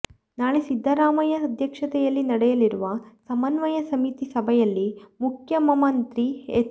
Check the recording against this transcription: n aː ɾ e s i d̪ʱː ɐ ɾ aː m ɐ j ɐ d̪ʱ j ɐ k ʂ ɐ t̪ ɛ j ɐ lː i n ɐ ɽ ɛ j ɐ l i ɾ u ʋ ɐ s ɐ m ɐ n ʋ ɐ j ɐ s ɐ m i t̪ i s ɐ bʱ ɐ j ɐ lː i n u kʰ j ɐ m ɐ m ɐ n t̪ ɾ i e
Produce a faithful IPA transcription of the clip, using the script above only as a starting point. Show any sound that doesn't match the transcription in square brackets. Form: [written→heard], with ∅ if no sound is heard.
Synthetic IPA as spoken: n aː [ɾ→ɭ] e s i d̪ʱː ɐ ɾ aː m ɐ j ɐ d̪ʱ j ɐ k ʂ ɐ t̪ ɛ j ɐ lː i n ɐ ɽ ɛ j ɐ l i ɾ u ʋ ɐ s ɐ m ɐ n ʋ ɐ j ɐ s ɐ m i t̪ i s ɐ bʱ ɐ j ɐ lː i [n→m] u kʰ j ɐ m ɐ m ɐ n t̪ ɾ i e